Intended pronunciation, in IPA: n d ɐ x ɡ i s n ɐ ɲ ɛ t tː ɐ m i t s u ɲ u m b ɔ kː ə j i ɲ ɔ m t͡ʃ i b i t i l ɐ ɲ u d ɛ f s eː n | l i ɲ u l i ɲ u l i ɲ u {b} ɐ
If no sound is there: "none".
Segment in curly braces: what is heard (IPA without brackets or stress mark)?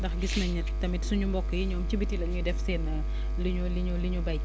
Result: b